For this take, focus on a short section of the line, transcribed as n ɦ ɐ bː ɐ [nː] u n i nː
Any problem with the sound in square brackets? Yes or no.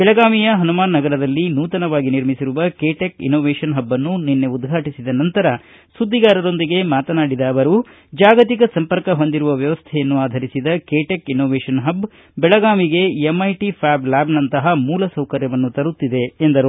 no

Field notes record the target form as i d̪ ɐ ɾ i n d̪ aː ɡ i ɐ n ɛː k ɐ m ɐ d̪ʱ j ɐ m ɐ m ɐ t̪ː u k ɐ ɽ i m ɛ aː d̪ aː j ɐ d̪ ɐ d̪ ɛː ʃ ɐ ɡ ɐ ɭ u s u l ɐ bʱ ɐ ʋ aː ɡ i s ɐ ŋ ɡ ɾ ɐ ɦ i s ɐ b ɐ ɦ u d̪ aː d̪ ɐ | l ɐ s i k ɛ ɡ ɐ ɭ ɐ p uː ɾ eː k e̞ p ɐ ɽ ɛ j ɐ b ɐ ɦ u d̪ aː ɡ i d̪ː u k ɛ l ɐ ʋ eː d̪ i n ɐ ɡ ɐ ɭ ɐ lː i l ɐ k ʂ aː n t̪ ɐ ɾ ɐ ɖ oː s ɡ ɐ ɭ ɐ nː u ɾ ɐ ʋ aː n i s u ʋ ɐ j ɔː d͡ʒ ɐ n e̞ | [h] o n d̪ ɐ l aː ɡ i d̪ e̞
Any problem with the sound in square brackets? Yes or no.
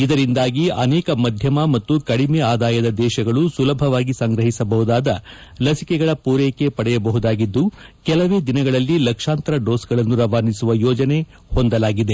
no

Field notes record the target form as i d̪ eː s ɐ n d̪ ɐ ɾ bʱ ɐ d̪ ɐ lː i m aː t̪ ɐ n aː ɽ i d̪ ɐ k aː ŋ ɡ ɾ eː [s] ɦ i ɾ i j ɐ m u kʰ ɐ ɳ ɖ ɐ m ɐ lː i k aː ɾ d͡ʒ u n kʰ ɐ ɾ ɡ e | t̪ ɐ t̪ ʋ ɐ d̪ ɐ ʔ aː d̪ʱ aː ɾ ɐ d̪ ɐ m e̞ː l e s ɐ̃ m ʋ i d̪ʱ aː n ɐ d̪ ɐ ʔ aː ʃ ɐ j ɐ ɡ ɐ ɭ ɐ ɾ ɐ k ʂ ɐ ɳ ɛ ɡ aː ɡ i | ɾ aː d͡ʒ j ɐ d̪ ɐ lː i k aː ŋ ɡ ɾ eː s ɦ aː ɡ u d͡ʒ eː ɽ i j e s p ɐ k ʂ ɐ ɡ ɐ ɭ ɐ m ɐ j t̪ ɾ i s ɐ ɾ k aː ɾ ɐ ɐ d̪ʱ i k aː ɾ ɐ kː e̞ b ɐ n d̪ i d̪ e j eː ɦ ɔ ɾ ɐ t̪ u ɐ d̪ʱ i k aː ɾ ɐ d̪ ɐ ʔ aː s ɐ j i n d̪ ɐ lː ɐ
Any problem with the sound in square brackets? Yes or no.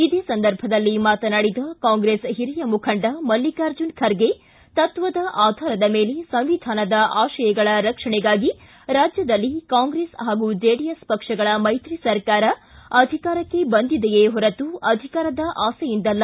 no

